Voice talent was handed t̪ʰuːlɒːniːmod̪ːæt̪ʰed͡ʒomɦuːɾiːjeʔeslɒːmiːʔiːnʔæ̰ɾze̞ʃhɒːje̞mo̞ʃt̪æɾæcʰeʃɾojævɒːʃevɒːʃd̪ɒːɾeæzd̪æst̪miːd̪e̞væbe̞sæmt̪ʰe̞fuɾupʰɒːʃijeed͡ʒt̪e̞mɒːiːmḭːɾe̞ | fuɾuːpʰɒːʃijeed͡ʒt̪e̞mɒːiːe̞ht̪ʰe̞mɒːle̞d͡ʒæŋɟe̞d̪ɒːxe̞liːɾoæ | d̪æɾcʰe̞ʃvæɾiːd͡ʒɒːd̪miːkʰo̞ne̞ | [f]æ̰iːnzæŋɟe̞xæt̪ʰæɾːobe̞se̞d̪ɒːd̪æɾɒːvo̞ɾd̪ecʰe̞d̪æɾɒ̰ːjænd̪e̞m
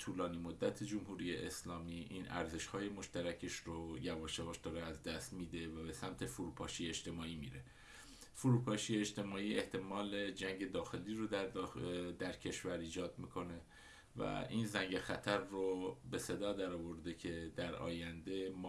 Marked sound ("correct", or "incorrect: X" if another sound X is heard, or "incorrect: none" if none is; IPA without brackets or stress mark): incorrect: v